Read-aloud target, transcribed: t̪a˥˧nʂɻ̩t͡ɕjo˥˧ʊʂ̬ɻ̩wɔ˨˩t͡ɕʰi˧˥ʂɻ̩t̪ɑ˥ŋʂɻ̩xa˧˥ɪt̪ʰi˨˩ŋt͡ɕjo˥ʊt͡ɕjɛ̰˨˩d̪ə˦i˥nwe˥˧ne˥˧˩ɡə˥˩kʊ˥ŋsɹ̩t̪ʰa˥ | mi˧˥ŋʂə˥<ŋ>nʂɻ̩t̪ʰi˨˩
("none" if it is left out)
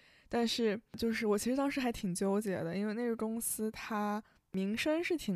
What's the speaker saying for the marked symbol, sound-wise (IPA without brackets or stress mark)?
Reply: none